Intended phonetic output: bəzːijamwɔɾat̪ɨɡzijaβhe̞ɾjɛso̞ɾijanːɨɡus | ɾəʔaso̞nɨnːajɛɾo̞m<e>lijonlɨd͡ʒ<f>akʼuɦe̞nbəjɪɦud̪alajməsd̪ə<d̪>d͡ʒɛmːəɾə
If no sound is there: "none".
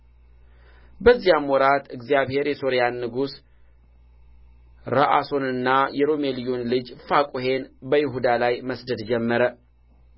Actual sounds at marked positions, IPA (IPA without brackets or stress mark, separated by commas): e, f, d̪